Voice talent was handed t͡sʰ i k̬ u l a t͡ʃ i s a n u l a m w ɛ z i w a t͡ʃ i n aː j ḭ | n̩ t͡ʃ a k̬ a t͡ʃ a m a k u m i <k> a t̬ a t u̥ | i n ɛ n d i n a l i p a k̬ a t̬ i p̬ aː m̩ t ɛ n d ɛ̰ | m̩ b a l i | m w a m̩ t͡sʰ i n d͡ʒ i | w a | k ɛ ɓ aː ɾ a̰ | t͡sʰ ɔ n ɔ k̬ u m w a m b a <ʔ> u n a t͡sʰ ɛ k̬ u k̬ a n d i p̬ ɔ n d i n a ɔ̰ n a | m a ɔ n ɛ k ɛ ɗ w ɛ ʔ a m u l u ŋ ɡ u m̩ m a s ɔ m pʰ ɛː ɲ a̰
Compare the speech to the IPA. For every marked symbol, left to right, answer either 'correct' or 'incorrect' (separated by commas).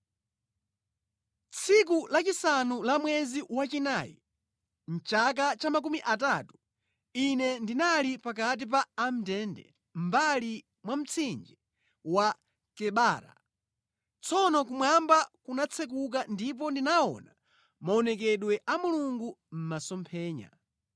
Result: incorrect, incorrect